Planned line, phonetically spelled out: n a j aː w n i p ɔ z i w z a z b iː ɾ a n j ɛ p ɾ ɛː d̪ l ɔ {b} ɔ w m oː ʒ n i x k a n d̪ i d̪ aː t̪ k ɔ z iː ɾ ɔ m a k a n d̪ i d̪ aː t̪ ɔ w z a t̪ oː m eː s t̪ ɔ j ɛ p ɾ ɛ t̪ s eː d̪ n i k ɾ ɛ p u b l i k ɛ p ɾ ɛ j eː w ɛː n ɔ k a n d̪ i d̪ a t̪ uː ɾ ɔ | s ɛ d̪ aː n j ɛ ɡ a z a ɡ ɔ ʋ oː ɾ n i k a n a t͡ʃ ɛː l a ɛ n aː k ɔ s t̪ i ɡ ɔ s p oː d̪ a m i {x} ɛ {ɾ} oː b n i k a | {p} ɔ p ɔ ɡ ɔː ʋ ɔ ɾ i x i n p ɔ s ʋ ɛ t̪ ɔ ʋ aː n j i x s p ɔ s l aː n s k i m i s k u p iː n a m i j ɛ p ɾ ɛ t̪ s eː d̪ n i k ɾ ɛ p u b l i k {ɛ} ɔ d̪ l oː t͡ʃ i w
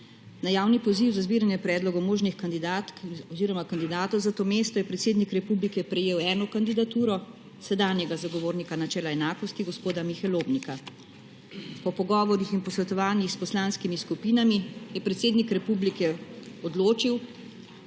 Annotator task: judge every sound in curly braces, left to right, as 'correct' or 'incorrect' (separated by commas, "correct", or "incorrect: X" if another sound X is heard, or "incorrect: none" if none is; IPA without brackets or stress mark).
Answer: incorrect: ɡ, correct, incorrect: l, correct, correct